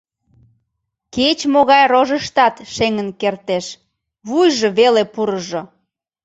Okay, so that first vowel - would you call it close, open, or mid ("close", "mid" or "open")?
mid